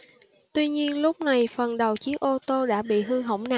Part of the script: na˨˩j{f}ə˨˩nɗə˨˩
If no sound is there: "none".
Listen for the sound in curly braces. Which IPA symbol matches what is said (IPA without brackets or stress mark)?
f